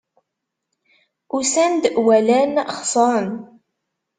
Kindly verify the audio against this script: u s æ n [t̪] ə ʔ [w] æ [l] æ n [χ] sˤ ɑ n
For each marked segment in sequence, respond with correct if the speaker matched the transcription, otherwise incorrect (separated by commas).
incorrect, correct, correct, correct